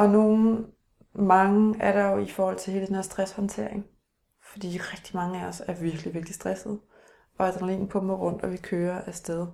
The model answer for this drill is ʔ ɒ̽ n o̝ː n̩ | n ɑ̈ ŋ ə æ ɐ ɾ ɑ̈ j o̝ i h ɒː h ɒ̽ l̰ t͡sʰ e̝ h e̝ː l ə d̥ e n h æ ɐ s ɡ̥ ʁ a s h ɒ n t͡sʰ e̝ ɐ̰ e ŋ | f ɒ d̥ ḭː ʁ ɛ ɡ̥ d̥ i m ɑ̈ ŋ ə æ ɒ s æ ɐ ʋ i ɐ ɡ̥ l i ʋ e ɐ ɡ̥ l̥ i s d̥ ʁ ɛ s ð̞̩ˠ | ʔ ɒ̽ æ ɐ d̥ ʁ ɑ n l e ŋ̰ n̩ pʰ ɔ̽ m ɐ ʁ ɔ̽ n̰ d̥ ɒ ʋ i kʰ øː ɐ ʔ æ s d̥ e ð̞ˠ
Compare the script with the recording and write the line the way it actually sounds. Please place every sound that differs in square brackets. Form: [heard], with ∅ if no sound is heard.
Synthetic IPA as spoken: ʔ ɒ̽ n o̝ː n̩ | [m] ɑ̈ ŋ ə æ ɐ ɾ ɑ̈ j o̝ i [f] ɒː h ɒ̽ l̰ t͡sʰ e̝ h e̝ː l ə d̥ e n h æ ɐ s [d̥] ʁ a s h ɒ n t͡sʰ e̝ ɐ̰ e ŋ | f ɒ d̥ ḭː ʁ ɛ ɡ̥ d̥ i m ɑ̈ ŋ ə æ ɒ s æ ɐ ʋ i ɐ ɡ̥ l i ʋ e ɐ ɡ̥ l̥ i s d̥ ʁ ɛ s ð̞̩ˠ | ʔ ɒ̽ æ ɐ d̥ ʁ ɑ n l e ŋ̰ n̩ pʰ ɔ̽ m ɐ ʁ ɔ̽ n̰ d̥ ɒ ʋ i kʰ øː ɐ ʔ æ s d̥ e ð̞ˠ